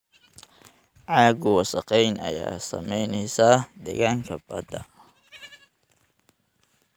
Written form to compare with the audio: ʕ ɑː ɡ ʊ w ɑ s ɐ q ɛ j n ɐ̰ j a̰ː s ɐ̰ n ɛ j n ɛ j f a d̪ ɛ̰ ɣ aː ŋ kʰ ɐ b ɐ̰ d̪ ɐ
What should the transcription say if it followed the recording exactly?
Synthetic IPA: ʕ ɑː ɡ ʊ w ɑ s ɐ q ɛ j n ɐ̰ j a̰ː s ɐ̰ m ɛ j n ɛ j s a d̪ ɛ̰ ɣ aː ŋ kʰ ɐ b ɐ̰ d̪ ɐ